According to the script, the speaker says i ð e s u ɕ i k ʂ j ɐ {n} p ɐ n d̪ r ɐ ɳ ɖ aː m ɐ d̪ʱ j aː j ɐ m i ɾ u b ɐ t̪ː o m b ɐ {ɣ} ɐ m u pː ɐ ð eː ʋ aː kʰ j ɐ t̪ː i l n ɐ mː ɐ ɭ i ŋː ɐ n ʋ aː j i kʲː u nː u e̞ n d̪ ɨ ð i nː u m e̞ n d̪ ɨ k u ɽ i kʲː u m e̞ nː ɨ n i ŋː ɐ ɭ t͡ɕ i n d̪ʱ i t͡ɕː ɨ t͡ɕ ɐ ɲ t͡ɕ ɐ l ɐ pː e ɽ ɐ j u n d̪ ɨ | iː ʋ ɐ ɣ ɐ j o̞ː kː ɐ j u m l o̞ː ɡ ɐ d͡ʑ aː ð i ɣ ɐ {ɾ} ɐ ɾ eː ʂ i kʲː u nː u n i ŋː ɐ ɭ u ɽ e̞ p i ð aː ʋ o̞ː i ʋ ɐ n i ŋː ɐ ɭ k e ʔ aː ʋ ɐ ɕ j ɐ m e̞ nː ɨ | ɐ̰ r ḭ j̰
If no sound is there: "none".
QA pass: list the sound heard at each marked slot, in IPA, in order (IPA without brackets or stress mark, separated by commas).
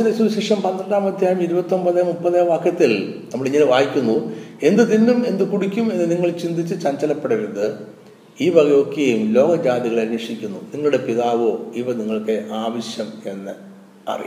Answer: m, ð, ɭ